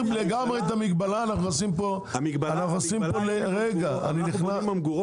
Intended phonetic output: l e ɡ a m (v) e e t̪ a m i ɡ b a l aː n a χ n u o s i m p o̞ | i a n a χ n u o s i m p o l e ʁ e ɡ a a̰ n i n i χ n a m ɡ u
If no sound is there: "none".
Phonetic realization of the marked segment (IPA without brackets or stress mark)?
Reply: ʁ